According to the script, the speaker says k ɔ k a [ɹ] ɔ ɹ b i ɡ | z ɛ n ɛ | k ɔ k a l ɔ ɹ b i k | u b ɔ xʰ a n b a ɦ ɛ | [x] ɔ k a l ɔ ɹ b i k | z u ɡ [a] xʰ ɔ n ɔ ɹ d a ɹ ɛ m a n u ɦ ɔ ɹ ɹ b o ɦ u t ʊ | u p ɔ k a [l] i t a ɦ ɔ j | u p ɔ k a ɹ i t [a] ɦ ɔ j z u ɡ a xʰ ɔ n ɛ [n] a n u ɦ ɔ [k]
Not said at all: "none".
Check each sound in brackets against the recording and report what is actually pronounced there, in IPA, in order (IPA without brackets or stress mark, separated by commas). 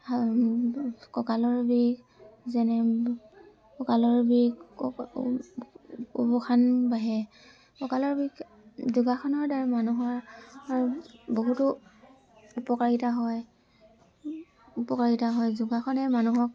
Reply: l, k, a, ɹ, a, m, k